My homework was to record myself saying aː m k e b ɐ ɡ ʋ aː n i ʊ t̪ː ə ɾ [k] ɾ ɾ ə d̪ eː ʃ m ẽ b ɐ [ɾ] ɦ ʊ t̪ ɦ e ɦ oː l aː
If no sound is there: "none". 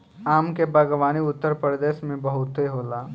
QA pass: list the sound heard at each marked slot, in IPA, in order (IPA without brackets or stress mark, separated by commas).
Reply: p, none